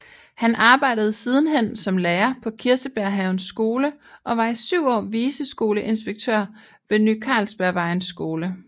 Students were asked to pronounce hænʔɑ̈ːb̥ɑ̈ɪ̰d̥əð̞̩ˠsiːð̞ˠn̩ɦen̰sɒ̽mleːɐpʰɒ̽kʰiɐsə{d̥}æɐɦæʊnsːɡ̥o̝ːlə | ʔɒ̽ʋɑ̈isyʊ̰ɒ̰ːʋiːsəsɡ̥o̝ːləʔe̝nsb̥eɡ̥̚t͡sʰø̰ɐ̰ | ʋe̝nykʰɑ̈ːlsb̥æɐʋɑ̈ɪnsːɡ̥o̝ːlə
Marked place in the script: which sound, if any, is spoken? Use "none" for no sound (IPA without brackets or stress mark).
b̥